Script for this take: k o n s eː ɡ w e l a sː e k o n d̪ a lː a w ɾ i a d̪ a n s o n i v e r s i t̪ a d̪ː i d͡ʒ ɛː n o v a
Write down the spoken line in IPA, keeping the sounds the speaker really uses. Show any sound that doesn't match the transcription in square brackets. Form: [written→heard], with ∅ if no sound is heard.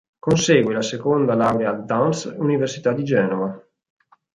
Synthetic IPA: k o n s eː ɡ w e l a [sː→s] e k o n d̪ a [lː→l] a w ɾ [i→e] a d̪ a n s [o→u] n i v e r s i t̪ a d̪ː i d͡ʒ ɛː n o v a